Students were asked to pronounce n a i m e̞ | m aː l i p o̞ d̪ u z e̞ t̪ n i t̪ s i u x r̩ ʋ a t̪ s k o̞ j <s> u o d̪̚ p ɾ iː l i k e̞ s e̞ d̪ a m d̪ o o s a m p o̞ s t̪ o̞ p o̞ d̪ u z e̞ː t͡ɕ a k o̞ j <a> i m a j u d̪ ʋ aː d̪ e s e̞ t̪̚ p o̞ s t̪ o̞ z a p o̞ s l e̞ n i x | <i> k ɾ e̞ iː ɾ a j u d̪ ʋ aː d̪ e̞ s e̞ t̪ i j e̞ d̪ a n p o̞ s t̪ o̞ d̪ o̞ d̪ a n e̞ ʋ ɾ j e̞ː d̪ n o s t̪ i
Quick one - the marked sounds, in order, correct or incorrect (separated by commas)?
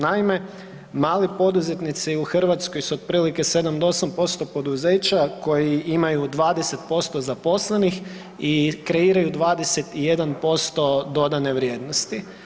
correct, incorrect, correct